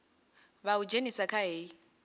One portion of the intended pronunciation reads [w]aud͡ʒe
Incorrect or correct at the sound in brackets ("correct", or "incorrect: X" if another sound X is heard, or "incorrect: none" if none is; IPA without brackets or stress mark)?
incorrect: β